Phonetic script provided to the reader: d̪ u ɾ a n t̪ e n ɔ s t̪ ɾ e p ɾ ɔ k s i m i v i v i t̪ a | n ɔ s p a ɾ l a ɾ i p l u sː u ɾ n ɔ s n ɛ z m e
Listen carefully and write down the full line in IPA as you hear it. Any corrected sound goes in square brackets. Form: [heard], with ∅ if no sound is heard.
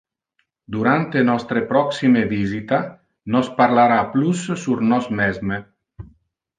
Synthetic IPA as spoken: d̪ u ɾ a n t̪ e n ɔ s t̪ ɾ e p ɾ ɔ k s i m [e] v i [z] i t̪ a | n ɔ s p a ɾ l a ɾ [a] p l u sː u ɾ n ɔ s [m] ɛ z m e